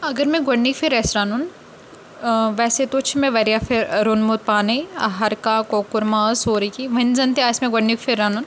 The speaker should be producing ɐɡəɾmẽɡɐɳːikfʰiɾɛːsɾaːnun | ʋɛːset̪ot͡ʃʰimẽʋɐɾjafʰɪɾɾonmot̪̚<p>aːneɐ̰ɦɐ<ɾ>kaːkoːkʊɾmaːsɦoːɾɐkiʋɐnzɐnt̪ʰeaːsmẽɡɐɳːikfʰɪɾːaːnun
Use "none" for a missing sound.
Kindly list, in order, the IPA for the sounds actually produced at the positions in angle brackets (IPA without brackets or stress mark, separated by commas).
p, ɾ